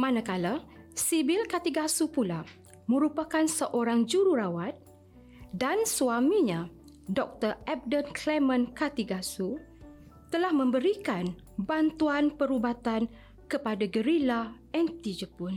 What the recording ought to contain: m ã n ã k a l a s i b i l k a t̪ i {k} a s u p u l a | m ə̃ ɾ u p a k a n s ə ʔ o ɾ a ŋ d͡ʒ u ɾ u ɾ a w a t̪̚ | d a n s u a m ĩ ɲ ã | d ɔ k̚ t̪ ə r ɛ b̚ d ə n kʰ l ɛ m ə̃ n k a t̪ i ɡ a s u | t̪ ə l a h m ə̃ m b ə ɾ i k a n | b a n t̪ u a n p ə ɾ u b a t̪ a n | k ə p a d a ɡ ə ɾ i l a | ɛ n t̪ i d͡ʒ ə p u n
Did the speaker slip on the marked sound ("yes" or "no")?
yes